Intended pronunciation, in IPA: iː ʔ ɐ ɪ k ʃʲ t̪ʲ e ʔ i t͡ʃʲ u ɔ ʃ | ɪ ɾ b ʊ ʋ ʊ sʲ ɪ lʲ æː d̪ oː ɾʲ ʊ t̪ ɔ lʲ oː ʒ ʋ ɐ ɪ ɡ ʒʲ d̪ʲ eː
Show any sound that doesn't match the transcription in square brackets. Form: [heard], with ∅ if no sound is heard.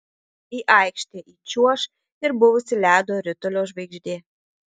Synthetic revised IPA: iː ʔ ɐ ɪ k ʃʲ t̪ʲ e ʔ i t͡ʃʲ u ɔ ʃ | ɪ ɾ b ʊ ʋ ʊ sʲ ɪ lʲ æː d̪ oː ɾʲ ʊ t̪ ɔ lʲ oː ʒ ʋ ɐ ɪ ɡ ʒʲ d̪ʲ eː